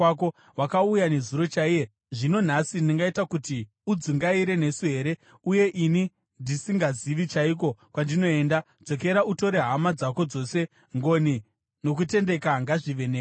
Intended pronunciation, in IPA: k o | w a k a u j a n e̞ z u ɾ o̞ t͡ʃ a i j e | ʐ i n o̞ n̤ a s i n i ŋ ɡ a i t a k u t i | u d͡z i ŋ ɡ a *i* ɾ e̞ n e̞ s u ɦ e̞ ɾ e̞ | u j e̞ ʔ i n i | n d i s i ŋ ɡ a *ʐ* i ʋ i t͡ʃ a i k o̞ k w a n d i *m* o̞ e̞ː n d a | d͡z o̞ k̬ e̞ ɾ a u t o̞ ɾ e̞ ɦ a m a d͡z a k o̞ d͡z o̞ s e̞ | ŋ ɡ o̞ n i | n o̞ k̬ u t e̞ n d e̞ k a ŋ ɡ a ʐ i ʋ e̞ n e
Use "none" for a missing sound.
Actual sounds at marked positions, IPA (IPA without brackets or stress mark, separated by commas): i, z, n